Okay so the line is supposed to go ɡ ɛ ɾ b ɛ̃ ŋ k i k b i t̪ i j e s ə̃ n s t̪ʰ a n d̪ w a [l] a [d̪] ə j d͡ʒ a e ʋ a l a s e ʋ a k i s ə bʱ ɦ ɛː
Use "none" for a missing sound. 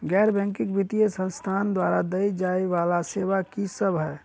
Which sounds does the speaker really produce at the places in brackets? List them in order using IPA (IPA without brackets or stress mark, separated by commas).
ɾ, d̪